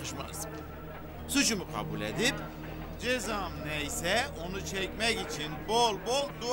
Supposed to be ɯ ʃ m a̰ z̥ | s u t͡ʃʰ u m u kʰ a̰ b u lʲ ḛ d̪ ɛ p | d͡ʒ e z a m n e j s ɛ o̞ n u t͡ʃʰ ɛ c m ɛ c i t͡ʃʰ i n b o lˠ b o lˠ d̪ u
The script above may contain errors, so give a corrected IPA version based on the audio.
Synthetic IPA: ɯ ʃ m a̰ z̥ | s u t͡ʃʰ u m u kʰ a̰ b u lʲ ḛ d̪ i p | d͡ʒ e z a m n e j s ɛ o̞ n u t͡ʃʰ ɛ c m ɛ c i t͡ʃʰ i n b o lˠ b o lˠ d̪ u